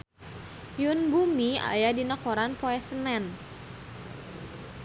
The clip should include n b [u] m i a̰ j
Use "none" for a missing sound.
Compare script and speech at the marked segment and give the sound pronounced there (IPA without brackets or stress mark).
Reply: u